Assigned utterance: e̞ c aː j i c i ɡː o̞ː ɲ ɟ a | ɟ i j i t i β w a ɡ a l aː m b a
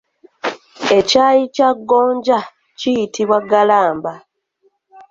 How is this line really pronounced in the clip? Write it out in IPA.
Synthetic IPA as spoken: e̞ c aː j i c a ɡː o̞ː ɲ ɟ a | c i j i t i β w a ɡ a l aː m b a